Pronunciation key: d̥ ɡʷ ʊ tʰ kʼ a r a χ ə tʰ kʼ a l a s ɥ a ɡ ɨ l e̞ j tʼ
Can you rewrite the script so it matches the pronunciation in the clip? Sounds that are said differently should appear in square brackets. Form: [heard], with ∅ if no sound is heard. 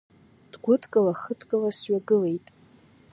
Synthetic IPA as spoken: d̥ ɡʷ ʊ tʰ kʼ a [l] a χ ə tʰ kʼ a l a s ɥ a ɡ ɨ l e̞ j tʼ